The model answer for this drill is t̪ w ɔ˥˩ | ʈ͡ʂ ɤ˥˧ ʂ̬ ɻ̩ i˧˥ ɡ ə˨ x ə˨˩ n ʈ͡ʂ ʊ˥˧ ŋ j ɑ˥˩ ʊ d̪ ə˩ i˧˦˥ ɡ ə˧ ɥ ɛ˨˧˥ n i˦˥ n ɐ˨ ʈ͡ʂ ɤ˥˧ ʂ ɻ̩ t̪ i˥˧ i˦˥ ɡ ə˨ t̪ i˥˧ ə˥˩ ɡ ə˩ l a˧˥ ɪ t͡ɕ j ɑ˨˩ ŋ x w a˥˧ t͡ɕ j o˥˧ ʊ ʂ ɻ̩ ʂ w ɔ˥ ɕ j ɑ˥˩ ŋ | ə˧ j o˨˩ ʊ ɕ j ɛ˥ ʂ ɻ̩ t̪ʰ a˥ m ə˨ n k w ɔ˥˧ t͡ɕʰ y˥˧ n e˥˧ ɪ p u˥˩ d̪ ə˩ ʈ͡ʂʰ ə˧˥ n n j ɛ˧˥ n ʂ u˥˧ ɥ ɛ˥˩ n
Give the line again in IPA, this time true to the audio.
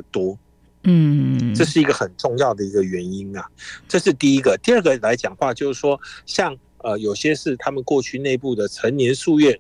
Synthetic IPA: t̪ w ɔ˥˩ | ʈ͡ʂ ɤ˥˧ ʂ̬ ɻ̩ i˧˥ ɡ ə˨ x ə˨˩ n ʈ͡ʂ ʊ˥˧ ŋ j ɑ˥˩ ʊ d̪ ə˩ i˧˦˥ ɡ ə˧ ɥ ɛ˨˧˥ n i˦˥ n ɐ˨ ʈ͡ʂ ɤ˥˧ ʂ ɻ̩ t̪ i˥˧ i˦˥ ɡ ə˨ t̪ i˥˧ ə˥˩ ɡ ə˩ l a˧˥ ɪ t͡ɕ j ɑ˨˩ ŋ x w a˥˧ t͡ɕ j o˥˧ ʊ ʂ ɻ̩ ʂ w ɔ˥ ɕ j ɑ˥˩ ŋ | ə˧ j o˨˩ ʊ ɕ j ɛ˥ ʂ ɻ̩ t̪ʰ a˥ m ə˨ n k w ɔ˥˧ t͡ɕʰ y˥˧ n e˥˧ ɪ p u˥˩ d̪ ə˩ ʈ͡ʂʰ ə˧˥ n n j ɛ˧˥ n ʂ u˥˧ ɥ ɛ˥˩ n